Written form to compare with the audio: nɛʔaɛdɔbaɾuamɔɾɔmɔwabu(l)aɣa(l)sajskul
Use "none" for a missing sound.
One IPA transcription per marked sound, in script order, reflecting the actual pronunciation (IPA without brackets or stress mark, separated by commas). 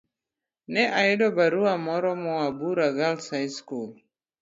ɾ, l